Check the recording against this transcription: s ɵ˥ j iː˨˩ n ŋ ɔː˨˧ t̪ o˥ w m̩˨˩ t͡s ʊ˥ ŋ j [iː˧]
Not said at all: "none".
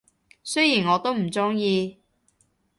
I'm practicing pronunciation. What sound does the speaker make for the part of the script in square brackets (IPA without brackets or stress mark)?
iː˧